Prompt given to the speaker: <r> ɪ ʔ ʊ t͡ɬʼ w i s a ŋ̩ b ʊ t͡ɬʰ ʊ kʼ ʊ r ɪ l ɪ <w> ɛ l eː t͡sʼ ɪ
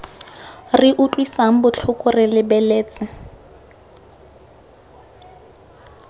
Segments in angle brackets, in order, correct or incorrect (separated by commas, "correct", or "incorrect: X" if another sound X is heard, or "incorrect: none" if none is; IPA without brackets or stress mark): correct, incorrect: b